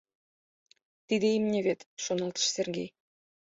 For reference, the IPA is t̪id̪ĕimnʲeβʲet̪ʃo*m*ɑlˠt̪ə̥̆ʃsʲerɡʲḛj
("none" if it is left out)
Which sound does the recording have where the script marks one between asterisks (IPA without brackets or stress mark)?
n